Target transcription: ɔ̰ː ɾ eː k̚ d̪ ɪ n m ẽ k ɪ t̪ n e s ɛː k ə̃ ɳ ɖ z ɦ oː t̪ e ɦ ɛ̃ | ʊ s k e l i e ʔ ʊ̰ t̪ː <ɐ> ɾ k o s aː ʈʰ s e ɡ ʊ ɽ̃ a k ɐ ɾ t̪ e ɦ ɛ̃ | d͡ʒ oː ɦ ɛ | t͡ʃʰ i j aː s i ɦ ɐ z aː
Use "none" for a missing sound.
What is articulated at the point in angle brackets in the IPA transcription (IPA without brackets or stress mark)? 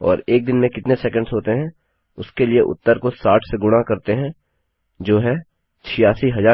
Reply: ə